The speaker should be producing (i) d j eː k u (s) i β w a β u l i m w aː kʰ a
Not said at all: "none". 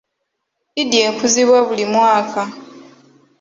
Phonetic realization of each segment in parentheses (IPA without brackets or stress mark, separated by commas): i, z